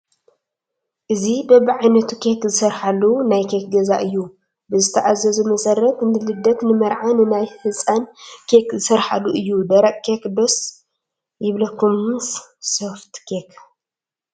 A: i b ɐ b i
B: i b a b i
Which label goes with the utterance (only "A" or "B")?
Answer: A